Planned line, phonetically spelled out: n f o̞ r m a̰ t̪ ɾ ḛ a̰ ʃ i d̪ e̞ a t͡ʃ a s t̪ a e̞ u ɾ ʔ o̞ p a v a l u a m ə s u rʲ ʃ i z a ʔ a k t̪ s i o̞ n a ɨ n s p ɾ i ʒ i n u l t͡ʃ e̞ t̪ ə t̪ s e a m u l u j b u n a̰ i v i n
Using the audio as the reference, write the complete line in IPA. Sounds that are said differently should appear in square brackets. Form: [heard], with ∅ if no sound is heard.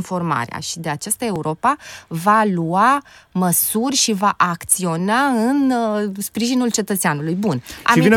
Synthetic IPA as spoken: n f o̞ r m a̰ [∅] ɾ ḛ a̰ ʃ i d̪ e̞ a t͡ʃ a s t̪ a e̞ u ɾ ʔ o̞ p a v a l u a m ə s u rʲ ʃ i [v] a ʔ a k t̪ s i o̞ n a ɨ n s p ɾ i ʒ i n u l t͡ʃ e̞ t̪ ə t̪ s e a [n] u l u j b u n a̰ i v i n